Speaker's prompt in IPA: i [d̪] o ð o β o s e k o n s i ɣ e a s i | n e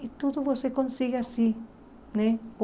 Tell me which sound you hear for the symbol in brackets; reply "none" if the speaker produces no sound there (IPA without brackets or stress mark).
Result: t̪